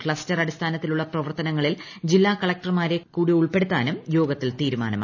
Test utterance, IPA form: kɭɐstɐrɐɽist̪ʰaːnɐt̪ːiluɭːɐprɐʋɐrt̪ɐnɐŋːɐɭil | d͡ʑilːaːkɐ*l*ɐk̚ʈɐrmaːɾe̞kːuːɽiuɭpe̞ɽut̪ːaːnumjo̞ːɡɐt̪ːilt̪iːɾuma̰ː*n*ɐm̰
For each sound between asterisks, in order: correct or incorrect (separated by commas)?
incorrect, correct